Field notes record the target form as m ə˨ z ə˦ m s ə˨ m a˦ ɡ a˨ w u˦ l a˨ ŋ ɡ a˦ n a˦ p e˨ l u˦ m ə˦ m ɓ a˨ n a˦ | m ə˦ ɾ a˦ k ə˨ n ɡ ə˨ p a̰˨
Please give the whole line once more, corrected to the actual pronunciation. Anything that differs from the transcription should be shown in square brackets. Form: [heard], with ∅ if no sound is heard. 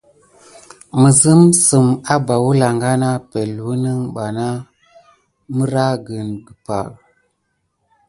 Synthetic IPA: m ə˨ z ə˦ m s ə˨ m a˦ [b] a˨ w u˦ l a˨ ŋ ɡ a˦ n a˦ p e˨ l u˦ [n] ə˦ [ŋ] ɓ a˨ n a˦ | m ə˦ ɾ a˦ [ɡ] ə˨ n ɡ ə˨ p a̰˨